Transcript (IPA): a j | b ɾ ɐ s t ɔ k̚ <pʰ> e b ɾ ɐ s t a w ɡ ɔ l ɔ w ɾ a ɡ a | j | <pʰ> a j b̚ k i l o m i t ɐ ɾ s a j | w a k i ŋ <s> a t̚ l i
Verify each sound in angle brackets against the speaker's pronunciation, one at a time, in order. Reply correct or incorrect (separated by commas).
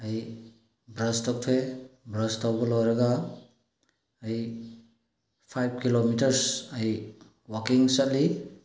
incorrect, correct, correct